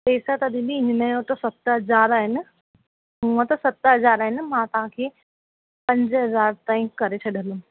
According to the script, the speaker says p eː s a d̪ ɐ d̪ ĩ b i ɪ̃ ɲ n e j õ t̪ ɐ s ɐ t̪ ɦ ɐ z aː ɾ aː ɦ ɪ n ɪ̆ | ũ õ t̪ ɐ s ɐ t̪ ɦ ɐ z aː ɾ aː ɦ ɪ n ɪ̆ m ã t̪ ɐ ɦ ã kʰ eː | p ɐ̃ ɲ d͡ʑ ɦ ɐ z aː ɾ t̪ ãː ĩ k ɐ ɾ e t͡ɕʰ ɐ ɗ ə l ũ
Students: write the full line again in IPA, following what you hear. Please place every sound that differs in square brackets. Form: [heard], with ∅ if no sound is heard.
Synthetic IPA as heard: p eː s a [t̪] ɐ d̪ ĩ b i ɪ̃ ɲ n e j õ t̪ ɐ s ɐ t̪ ɦ ɐ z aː ɾ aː ɦ ɪ n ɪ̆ | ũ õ t̪ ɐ s ɐ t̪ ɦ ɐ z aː ɾ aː ɦ ɪ n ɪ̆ m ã t̪ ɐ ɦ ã kʰ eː | p ɐ̃ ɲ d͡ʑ ɦ ɐ z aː ɾ t̪ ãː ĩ k ɐ ɾ e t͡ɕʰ ɐ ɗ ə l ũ